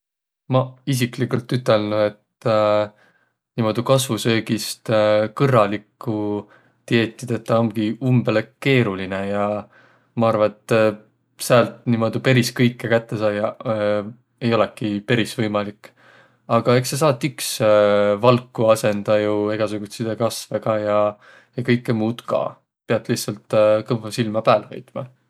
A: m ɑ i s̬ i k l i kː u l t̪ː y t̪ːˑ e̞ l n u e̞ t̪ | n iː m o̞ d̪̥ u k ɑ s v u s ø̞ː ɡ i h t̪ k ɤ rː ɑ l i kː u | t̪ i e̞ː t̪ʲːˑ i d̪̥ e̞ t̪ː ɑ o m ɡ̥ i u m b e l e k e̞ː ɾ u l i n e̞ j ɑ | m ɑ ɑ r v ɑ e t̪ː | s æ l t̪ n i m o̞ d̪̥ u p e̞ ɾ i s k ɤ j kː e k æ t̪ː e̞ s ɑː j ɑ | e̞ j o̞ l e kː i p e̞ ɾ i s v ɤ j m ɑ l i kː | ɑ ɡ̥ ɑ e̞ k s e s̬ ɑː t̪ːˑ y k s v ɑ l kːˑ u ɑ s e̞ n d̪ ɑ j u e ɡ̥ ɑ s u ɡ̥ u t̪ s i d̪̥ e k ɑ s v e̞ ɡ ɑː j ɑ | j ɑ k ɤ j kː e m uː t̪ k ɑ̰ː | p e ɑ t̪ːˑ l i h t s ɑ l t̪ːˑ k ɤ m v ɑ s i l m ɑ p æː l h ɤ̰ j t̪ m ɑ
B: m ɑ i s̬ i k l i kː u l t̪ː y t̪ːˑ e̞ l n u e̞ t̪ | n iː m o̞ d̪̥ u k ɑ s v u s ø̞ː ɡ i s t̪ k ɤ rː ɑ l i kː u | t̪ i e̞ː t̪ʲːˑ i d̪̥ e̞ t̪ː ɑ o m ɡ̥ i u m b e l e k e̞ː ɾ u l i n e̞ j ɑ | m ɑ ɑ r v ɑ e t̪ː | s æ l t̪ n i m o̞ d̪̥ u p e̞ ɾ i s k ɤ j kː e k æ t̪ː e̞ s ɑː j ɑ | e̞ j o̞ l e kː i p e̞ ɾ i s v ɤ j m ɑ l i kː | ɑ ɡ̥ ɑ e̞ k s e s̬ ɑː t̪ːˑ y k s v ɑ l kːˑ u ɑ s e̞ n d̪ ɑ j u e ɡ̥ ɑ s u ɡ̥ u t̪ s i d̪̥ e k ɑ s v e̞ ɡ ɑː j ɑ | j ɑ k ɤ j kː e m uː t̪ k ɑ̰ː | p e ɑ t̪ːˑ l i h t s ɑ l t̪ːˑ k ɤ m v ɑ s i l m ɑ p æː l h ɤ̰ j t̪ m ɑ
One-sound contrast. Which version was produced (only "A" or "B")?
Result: B